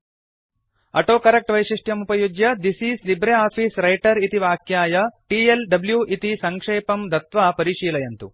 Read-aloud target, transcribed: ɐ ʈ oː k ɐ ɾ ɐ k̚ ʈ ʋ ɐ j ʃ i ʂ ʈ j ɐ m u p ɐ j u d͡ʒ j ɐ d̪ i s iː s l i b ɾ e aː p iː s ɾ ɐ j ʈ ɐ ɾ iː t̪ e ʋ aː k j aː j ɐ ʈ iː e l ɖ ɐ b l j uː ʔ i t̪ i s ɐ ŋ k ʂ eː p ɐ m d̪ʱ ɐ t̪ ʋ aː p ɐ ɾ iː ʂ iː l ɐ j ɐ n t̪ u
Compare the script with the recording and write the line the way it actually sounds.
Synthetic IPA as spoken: ɐ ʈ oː k ɐ ɾ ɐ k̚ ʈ ʋ ɐ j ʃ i ʂ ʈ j ɐ m u p ɐ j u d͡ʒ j ɐ d̪ i s iː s l i b ɾ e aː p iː s ɾ ɐ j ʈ ɐ ɾ i t̪ i ʋ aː k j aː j ɐ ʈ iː e l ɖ ɐ b l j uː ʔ i t̪ i s ɐ ŋ k ʂ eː p ɐ m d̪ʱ ɐ t̪ ʋ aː p ɐ ɾ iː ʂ iː l ɐ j ɐ n t̪ u